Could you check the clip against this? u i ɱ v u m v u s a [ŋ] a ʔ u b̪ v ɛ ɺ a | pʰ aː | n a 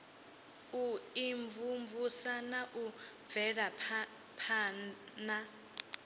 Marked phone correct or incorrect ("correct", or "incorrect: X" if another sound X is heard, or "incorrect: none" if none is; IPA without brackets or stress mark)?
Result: incorrect: n